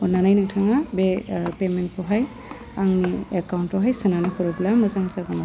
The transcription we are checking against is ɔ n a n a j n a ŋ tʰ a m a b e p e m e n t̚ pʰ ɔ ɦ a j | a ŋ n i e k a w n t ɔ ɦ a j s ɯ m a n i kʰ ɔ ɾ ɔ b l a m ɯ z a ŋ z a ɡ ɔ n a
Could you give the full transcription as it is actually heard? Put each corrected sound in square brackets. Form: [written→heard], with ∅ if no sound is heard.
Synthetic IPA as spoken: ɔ n a n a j n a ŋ tʰ a [m→ŋ] a b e p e m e n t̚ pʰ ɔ ɦ a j | a ŋ n i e k a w n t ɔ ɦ a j s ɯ [m→n] a n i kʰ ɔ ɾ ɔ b l a m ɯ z a ŋ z a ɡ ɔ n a